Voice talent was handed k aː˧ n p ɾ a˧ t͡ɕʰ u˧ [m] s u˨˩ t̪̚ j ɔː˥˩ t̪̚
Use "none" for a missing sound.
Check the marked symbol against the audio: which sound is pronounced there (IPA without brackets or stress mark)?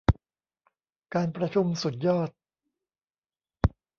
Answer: m